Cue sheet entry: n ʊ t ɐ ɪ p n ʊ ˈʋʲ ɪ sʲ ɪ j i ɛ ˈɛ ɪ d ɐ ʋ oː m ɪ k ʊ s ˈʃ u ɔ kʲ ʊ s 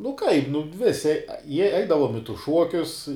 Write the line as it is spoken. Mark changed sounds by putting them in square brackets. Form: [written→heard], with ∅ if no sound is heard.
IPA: n ʊ [t→k] ɐ ɪ p n ʊ ˈʋʲ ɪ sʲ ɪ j i ɛ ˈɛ ɪ d ɐ ʋ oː m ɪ [k→t] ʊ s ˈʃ u ɔ kʲ ʊ s